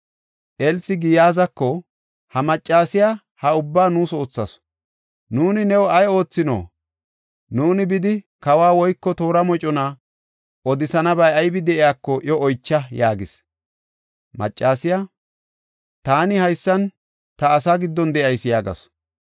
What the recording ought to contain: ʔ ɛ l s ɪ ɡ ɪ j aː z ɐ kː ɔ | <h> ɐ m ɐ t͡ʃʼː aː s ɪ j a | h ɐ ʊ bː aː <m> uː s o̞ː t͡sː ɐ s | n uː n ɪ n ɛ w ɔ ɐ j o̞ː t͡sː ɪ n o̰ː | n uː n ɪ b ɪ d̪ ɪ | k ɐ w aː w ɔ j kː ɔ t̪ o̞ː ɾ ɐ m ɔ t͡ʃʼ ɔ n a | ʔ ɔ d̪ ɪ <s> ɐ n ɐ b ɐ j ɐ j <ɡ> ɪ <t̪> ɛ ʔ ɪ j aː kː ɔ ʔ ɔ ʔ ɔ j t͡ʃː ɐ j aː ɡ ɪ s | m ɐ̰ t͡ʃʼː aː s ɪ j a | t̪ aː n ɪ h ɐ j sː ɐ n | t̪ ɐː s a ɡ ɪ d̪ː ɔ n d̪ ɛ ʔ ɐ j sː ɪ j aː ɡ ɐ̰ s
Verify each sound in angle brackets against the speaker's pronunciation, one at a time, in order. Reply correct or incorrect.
correct, incorrect: n, correct, incorrect: b, incorrect: d̪

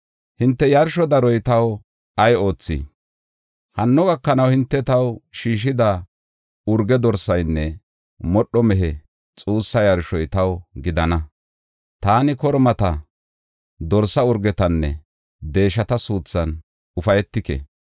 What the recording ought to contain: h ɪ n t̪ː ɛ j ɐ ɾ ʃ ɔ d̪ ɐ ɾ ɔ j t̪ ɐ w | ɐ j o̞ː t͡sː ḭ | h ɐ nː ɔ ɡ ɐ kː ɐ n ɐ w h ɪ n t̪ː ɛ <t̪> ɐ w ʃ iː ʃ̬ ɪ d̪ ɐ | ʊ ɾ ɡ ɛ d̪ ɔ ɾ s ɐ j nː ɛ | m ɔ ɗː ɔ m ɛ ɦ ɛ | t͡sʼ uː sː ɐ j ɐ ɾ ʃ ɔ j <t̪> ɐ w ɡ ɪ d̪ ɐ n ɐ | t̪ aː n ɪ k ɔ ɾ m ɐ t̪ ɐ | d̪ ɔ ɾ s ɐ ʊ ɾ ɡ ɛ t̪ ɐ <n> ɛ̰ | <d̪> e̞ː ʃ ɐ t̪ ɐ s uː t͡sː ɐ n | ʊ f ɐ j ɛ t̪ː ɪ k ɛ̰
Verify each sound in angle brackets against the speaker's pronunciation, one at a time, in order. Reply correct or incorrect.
correct, correct, incorrect: nː, correct

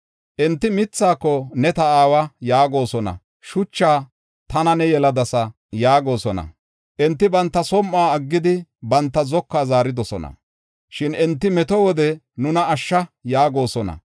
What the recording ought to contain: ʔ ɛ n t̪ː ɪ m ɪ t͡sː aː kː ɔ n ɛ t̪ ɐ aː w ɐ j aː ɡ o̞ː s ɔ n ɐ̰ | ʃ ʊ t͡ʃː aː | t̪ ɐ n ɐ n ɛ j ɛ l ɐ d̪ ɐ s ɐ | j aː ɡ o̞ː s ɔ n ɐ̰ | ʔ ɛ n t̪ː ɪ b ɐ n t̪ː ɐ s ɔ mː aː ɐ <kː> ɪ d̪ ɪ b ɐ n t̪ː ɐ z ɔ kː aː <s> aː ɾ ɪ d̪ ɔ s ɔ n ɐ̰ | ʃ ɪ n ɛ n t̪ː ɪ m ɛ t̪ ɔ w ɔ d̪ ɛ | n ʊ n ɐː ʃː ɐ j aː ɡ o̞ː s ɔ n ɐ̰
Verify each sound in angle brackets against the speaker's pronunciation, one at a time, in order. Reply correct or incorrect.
incorrect: ɡː, incorrect: z

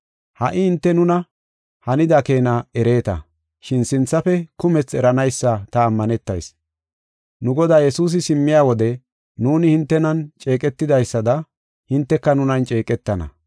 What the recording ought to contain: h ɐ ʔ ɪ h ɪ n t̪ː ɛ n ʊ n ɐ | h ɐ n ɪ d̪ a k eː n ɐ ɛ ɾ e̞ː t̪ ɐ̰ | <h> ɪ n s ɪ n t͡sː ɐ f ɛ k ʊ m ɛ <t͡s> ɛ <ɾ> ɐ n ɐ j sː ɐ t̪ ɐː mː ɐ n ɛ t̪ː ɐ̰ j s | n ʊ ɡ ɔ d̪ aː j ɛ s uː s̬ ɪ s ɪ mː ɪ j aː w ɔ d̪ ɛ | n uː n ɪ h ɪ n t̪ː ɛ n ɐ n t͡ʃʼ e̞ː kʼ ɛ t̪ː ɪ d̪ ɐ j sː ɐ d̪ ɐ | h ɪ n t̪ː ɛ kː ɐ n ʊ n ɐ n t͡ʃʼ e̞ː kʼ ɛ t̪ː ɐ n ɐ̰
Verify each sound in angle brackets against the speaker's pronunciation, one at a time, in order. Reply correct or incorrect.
incorrect: ʃ, correct, correct

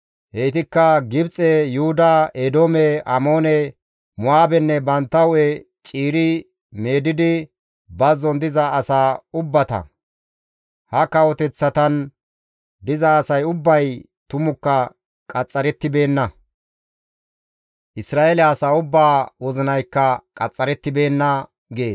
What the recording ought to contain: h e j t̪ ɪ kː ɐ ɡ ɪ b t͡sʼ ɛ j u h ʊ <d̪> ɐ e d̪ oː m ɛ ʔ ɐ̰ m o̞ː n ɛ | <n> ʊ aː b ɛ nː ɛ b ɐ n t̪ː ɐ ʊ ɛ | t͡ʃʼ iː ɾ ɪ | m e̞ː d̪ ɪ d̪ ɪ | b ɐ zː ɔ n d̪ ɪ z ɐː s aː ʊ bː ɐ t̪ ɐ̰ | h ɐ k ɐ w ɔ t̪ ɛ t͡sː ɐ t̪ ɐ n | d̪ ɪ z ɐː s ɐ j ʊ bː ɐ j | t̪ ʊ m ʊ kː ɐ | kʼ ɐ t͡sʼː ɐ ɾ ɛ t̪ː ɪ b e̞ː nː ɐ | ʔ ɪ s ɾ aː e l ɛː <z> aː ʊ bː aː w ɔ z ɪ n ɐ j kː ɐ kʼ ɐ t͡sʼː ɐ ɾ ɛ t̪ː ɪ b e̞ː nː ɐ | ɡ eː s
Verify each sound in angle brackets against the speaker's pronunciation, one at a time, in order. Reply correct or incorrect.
correct, incorrect: m, incorrect: s

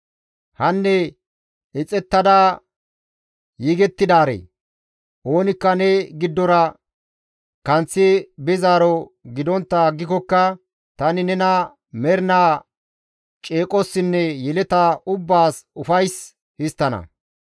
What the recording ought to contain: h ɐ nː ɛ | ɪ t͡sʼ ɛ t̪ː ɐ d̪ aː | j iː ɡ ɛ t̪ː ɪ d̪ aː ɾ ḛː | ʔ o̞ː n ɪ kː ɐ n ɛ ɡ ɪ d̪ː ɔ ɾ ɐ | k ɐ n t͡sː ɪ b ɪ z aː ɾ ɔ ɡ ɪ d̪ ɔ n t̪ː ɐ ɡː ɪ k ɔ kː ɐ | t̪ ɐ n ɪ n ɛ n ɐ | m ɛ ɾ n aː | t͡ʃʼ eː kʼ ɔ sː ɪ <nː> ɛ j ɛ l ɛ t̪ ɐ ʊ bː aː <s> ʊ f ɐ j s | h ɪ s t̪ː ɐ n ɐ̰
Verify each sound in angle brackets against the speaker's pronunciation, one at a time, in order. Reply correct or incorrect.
correct, correct

